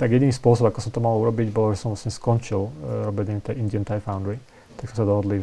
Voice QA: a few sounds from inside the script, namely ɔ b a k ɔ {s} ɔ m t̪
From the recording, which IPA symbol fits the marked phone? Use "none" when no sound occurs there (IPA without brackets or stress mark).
s